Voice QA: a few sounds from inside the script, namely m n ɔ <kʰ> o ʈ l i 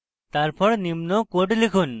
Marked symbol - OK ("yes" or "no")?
no